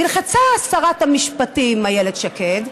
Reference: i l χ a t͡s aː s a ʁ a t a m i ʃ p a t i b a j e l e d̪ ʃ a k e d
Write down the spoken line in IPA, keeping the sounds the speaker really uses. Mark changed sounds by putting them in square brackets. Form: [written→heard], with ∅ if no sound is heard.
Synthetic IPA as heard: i l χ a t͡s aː s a ʁ a t a m i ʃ p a t i [b→m] a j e l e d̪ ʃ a k e d